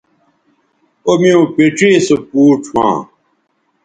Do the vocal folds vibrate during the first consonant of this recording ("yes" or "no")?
yes